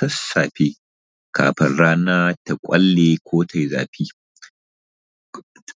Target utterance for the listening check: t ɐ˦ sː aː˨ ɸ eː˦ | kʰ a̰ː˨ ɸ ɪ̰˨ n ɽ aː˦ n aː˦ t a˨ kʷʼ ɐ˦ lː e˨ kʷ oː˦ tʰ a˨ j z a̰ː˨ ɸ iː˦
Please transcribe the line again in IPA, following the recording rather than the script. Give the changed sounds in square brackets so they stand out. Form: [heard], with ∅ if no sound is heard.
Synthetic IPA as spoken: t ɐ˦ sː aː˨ ɸ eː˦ | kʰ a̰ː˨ ɸ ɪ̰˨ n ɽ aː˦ n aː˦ t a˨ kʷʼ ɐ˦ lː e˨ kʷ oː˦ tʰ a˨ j z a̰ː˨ ɸ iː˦